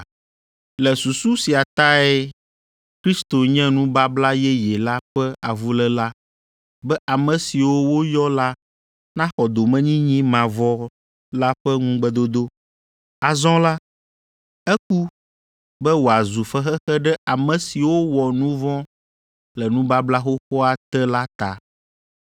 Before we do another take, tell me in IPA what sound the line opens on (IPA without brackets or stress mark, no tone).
l